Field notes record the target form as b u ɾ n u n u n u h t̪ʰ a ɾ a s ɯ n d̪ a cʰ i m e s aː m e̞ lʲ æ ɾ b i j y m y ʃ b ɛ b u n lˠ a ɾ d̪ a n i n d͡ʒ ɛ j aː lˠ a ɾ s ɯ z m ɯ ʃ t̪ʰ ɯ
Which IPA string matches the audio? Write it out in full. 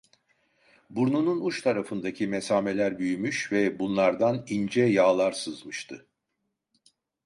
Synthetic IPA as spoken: b u ɾ n u n u n u ʃ t̪ʰ a ɾ a f ɯ n d̪ a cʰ i m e s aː m e̞ lʲ æ ɾ b y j y m y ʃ v ɛ b u n lˠ a ɾ d̪ a n i n d͡ʒ ɛ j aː lˠ a ɾ s ɯ z m ɯ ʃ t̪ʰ ɯ